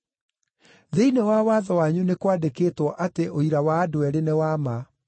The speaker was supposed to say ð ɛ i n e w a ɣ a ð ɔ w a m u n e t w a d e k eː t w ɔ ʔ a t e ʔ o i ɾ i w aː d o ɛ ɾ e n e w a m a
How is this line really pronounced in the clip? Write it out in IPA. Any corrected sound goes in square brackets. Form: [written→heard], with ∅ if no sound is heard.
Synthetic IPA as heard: ð [ɛ→e] i n e w a [ɣ→w] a ð ɔ w a [m→ɲ] u n e [t→k] w a d e k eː t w ɔ ʔ a t e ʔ o i ɾ [i→a] w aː d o ɛ ɾ e n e w a m a